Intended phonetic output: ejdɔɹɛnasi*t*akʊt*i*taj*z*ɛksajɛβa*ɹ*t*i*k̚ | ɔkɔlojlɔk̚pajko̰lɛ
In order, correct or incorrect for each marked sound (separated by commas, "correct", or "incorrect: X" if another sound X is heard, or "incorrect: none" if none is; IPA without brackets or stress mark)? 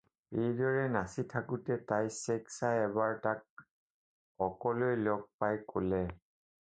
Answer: incorrect: tʰ, incorrect: ɛ, incorrect: s, correct, incorrect: a